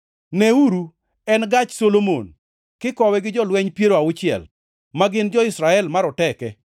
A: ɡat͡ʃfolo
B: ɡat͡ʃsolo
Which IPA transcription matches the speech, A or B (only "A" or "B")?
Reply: B